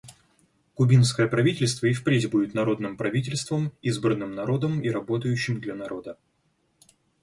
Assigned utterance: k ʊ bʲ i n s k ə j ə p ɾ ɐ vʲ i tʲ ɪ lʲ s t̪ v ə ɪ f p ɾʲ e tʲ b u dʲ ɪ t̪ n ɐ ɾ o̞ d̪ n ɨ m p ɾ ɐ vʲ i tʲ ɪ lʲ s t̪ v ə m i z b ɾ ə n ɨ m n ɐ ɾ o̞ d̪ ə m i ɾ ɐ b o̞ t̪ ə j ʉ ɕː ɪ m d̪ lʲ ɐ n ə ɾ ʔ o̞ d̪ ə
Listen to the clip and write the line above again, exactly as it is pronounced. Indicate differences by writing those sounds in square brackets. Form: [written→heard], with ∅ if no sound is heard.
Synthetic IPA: k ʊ bʲ i n s k ə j ə p ɾ ɐ vʲ i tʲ ɪ lʲ s t̪ v ə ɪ f p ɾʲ e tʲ b u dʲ ɪ t̪ n ɐ ɾ o̞ d̪ n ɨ m p ɾ ɐ vʲ i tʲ ɪ lʲ s t̪ v ə m i z b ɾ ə n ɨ m n ɐ ɾ o̞ d̪ ə m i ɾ ɐ b o̞ t̪ ə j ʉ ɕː ɪ m d̪ lʲ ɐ n [ə→ɐ] ɾ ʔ o̞ d̪ ə